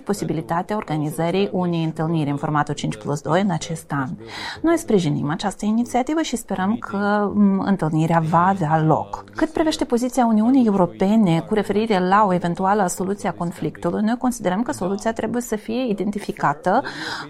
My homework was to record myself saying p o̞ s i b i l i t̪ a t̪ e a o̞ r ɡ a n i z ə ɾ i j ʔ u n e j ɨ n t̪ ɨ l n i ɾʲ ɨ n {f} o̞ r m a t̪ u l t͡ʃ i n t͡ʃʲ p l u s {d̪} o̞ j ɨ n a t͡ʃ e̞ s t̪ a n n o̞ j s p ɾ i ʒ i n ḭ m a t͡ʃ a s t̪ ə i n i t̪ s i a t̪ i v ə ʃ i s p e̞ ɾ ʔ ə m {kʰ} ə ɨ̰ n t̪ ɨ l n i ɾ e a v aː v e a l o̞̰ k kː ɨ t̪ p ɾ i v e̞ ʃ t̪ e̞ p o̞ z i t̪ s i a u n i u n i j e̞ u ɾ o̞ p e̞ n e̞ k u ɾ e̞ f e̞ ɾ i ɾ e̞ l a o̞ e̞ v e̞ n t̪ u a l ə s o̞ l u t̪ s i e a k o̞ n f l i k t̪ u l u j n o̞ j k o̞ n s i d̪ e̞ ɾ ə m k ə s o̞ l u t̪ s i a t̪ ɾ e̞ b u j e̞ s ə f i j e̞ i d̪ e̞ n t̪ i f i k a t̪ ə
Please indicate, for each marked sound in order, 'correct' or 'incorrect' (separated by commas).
correct, correct, correct